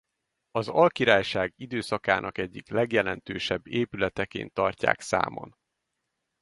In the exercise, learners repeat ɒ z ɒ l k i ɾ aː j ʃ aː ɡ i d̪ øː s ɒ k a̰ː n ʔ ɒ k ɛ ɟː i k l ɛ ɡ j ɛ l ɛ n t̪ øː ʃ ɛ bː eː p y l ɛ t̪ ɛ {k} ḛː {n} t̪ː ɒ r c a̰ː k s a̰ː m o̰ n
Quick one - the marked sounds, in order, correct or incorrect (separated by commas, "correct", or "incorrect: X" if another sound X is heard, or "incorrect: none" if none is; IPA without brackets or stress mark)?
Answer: correct, correct